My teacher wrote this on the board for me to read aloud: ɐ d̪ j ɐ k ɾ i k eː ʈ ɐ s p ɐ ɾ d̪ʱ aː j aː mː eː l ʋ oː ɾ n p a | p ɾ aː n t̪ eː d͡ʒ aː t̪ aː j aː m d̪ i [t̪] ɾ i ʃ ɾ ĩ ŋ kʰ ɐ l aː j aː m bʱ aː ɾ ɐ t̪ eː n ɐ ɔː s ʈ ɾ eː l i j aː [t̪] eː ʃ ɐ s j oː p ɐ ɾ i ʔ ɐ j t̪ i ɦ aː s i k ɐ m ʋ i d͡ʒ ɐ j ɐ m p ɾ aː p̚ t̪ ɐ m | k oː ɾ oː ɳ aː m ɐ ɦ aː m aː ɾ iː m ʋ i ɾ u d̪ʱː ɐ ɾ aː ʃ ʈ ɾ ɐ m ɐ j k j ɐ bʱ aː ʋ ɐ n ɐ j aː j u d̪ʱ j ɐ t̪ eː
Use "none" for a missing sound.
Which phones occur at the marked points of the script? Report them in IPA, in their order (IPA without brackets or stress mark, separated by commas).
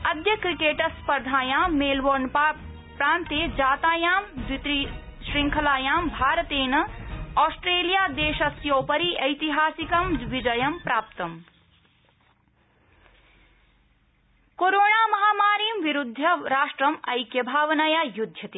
t̪, d̪